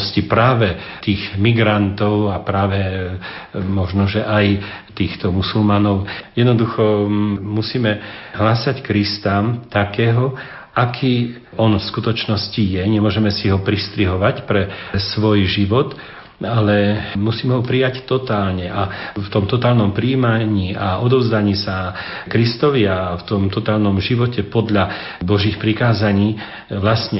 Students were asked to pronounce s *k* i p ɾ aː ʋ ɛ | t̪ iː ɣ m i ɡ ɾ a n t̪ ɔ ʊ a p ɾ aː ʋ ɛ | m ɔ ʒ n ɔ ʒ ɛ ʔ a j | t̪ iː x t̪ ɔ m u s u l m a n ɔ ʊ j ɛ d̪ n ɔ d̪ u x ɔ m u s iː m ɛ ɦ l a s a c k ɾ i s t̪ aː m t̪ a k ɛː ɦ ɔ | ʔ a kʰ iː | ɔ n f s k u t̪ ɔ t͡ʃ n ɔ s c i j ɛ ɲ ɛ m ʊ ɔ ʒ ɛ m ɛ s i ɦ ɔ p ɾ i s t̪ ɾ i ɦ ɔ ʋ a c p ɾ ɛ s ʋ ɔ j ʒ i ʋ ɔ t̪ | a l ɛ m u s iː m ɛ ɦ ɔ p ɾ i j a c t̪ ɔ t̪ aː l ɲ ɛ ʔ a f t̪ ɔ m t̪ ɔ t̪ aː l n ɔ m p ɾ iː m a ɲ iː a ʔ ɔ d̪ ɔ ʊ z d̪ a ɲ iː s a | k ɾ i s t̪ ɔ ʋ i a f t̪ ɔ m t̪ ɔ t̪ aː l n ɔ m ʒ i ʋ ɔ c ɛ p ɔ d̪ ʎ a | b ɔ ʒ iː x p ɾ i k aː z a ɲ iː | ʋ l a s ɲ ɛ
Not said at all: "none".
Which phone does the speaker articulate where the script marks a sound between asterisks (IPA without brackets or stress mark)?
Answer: c